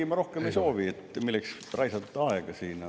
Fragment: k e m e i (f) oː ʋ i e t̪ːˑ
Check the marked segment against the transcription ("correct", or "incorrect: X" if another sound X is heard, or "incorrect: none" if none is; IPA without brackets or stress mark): incorrect: s